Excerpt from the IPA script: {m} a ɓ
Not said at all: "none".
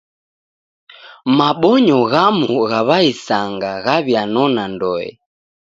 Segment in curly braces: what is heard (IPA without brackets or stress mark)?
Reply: m